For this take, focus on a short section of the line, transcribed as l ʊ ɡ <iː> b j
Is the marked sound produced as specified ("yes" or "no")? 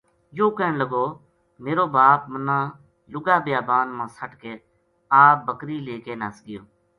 no